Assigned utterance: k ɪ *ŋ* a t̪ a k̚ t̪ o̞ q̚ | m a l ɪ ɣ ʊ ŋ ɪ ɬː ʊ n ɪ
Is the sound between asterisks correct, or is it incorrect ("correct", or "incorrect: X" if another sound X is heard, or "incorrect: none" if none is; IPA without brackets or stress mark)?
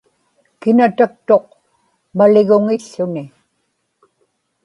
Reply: incorrect: n